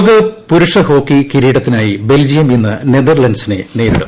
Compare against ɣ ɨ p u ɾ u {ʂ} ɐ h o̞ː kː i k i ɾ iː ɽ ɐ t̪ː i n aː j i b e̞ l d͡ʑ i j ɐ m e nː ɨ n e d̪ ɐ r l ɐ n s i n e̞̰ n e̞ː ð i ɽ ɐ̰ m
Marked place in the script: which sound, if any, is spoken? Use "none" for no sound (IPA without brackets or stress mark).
ʂ